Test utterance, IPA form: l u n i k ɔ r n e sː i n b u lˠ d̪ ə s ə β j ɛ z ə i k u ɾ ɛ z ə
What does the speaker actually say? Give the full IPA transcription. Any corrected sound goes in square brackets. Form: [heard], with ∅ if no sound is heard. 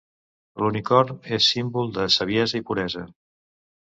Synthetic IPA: l u n i k ɔ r n e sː i [m] b u lˠ d̪ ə s ə β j ɛ z ə i [p] u ɾ ɛ z ə